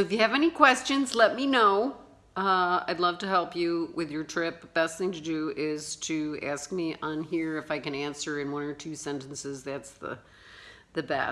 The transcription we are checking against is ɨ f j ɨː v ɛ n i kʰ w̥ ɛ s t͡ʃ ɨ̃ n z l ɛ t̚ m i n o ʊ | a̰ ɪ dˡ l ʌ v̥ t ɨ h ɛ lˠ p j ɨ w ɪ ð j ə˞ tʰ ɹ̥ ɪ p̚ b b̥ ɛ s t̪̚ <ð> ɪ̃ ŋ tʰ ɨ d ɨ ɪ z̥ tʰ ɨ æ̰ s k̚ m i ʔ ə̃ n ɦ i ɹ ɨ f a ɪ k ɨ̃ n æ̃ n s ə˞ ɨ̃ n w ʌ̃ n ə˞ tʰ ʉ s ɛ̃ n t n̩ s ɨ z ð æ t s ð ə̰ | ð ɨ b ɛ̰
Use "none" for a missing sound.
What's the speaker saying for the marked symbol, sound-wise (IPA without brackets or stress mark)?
θ